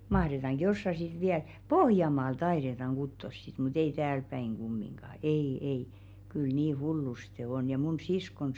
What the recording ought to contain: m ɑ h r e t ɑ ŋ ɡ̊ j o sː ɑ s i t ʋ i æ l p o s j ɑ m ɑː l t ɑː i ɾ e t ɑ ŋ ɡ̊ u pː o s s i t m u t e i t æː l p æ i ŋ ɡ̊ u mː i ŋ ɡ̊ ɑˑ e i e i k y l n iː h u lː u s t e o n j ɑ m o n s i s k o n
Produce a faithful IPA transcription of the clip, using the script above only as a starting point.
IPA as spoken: m ɑ h r e t ɑ ŋ ɡ̊ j o sː ɑ s i t ʋ i æ l p o h j ɑ m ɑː l t ɑ i ɾ e t ɑ ŋ ɡ̊ u tː o s s i t m u t e i t æː l p æ i ŋ ɡ̊ u mː i ŋ ɡ̊ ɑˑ e i e i k y l n iː h u lː u s t e o n j ɑ m u n s i s k o n

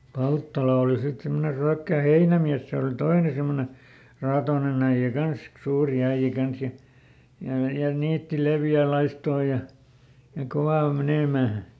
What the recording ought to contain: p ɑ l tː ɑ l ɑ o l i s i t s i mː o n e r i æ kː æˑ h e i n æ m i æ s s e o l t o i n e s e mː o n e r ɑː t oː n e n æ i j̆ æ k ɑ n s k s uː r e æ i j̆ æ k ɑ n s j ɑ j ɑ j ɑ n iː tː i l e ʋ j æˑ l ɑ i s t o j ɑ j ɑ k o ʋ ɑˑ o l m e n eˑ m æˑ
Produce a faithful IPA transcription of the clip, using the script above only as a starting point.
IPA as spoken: p ɑ l tː ɑ l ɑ o l i s i t s i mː o n e r y æ kː æˑ h e i n æ m i æ s s e o l t o i n e s e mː o n e r ɑː t oː n e n æ i j̆ æ k ɑ n s k s uː r i æ i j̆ æ k ɑ n s j ɑ j ɑ j ɑ n iː tː i l e ʋ j æˑ l ɑ i s t oː j ɑ j ɑ k o ʋ ɑˑ o l m e n eˑ m æˑ

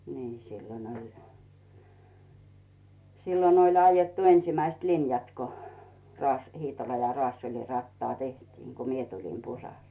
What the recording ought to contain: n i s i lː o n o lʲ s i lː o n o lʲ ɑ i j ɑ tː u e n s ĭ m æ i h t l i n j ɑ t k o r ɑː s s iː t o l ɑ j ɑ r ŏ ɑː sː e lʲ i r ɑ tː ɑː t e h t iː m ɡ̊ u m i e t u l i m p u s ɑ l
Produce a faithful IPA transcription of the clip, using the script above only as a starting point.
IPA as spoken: n iː s i lː o n o lʲ s i lː o n o lʲ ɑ i j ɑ tː u e n s ĭ m æ i s t l i n j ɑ t k o r ɑː s h iː t o l ɑ j ɑ r ŏ ɑː sː e lʲ i r ɑ tː ɑː t e h t iː ŋ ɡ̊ u m i e t u l i m p u s ɑ l

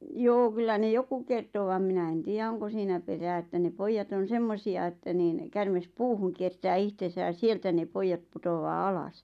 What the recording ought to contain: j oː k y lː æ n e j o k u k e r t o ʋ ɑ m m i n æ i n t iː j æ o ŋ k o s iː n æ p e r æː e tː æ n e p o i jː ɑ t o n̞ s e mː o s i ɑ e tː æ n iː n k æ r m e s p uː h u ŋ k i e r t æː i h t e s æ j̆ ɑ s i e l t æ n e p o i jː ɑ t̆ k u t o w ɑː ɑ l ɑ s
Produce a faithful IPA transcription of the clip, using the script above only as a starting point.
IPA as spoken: j oː k y lː æ n e j o k u k e r t o ʋ ɑ m m i n æ e n t iː j æ o ŋ k o s iː n æ p e r æː e tː æ n e p o i jː ɑ t o n̞ s e mː o s i ɑ e tː æ n iː n k æ r m e s p uː h u ŋ k i e r t æː i h t e s æ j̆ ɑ s i e l t æ n e p o i jː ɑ t̆ p u t o w ɑː ɑ l ɑ s

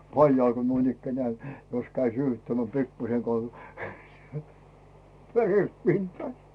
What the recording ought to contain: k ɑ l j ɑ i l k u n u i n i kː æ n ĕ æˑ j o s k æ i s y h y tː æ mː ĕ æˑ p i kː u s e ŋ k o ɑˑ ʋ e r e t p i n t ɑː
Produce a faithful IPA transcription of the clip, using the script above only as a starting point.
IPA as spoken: p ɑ l j ɑ i l k o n u i n i kː æ n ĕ æˑ j o s k æ i s yː h y tː æ mː ĕ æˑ p i kː u s e ŋ k o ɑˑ ʋ e r e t p i n t ɑː

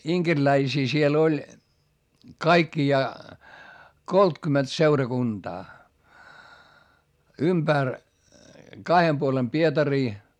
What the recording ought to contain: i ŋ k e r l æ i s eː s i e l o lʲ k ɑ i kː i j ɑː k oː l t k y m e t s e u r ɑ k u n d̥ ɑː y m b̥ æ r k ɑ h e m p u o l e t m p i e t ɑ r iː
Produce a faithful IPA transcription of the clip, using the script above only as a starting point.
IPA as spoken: i ŋ k e r l æ i s iː s i e l o lʲ k ɑ i kː i j ɑː k o l t k y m e t s e u r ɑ k u n d̥ ɑː y m b̥ æ r k ɑ h e m p u o l e m p i e t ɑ r iː

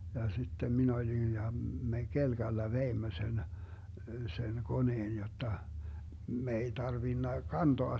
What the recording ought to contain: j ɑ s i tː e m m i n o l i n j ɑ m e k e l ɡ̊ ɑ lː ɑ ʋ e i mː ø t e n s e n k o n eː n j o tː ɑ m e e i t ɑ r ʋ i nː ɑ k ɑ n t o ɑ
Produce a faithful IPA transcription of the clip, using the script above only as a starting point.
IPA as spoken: j ɑ s i tː e m m i n o l i n j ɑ m e k e l ɡ̊ ɑ lː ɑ ʋ e i mː ø s e n s e n k o n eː n j o tː ɑ m e e i t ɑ r ʋ i nː ɑ k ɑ n t o ɑ

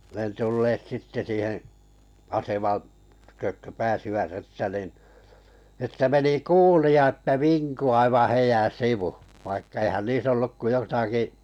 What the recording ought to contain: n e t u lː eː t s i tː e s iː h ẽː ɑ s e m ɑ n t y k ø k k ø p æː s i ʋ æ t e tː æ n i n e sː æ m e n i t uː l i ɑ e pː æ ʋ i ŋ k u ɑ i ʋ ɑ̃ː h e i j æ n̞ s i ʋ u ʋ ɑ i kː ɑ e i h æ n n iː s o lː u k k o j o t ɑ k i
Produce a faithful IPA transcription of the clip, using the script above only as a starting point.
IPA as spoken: n e t u lː eː t s i tː e s iː h ẽː ɑ s e m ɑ n t y k ø k k ø p æː s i ʋ æ t e tː æ n i n e tː æ m e n i k uː l i ɑ e tː æ ʋ i ŋ k u ɑ i ʋ ɑ̃ː h e i j æ n̞ s i ʋ u ʋ ɑ i kː ɑ e i h æ n n iː s o lː u k k o j o t ɑ k i

